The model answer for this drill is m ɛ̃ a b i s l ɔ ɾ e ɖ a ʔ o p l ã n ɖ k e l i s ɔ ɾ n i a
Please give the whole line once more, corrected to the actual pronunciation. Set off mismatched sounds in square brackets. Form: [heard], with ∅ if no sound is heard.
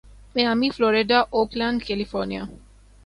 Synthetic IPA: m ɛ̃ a [m] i [f] l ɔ ɾ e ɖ a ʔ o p l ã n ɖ k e l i [f] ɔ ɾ n i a